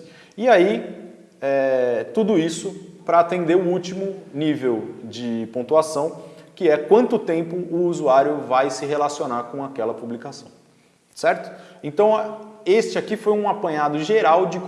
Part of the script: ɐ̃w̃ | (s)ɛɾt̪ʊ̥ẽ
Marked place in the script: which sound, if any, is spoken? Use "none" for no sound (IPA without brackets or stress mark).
s